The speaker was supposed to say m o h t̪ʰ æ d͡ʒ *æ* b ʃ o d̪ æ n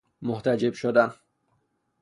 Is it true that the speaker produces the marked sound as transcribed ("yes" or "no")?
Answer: no